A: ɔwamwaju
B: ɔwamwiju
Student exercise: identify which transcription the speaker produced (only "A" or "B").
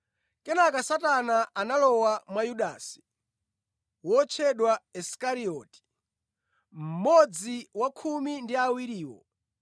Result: A